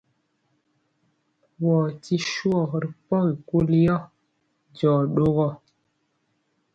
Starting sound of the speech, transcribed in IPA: w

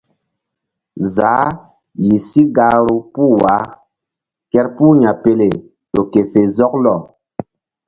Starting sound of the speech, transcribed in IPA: z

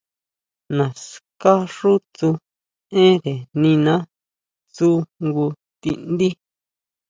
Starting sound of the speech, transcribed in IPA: n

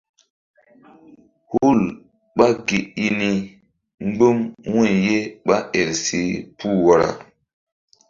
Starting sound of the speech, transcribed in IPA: h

